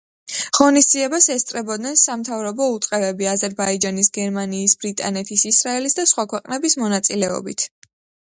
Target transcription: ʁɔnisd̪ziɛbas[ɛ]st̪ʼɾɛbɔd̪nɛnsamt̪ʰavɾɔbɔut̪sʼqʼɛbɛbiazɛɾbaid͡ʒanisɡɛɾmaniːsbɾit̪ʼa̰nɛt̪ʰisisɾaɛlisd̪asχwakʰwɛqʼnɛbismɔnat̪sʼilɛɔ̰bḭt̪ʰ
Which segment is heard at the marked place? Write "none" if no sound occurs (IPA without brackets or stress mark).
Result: ɛ